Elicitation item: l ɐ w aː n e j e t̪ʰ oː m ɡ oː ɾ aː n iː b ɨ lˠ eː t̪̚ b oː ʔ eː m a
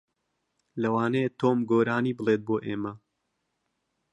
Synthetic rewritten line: l ɐ w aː n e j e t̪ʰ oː m ɡ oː ɾ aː n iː b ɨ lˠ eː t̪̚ b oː ʔ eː m ɐ